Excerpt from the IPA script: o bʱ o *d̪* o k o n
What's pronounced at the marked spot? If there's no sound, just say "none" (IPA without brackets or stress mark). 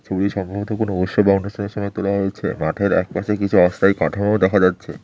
t̪